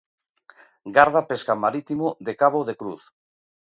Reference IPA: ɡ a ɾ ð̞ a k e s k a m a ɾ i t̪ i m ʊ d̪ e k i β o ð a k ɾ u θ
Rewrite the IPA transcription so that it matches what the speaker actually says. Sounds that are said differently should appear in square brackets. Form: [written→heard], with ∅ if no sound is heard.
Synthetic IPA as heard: ɡ a ɾ ð̞ a [k→p] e s k a m a ɾ i t̪ i m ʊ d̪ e k [i→a] β o ð [a→e] k ɾ u θ